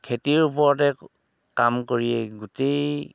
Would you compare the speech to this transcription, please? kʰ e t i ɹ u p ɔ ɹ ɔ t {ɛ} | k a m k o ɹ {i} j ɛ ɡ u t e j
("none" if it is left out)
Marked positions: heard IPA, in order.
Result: ɛ, i

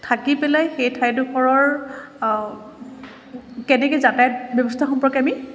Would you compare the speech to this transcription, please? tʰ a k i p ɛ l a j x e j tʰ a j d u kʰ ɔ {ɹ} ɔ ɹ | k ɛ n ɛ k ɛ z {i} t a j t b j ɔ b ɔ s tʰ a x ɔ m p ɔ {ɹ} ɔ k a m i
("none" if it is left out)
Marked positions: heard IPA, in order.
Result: ɹ, a, ɹ

